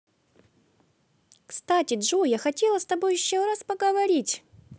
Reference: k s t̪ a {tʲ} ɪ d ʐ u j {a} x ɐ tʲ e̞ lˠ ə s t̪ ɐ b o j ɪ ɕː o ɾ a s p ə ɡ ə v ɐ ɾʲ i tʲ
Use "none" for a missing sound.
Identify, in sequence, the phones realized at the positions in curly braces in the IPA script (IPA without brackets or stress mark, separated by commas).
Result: tʲ, a